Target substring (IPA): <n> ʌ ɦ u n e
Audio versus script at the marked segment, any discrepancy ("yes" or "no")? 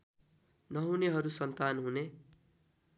no